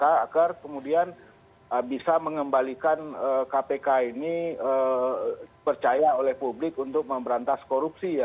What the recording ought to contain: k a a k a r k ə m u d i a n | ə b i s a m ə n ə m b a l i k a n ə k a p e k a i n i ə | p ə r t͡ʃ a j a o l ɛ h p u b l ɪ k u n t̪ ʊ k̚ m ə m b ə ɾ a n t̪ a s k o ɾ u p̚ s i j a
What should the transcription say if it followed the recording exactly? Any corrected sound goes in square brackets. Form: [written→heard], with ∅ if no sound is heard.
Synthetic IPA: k a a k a r k ə m u d i a n | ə b i s a m ə [n→ŋ] ə m b a l i k a n ə k a p e k a i n i ə | p ə r t͡ʃ a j a o l ɛ h p u b l ɪ k u n t̪ ʊ k̚ m ə m b ə ɾ a n t̪ a s k o ɾ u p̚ s i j a